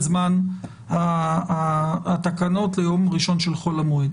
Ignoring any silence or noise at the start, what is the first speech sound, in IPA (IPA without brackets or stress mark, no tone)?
z